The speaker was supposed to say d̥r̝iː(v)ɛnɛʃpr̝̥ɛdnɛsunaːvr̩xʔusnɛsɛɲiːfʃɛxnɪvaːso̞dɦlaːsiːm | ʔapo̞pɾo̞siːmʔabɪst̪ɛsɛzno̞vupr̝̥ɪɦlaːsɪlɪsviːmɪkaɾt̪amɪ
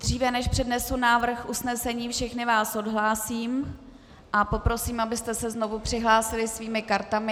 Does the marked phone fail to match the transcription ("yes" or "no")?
no